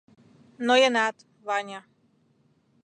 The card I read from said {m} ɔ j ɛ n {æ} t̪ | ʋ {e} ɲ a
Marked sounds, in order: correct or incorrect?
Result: incorrect: n, incorrect: a, incorrect: a

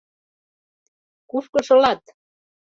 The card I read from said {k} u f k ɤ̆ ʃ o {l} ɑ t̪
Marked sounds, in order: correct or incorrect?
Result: correct, correct

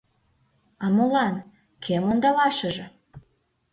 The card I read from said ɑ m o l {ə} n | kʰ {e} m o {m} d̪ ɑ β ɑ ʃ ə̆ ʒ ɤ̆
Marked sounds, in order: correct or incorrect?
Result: incorrect: ɑ, correct, incorrect: n

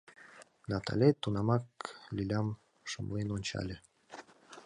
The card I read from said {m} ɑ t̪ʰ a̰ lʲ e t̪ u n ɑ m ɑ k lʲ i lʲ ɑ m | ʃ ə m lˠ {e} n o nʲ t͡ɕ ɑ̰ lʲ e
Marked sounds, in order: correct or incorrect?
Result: incorrect: n, correct

